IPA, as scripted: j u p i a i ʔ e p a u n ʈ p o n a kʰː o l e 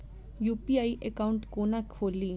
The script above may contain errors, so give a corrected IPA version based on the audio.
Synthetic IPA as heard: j u p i a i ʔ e k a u ɳ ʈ k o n a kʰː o l i